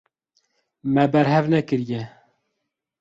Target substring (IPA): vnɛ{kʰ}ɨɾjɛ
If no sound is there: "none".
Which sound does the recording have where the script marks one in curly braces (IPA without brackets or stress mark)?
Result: k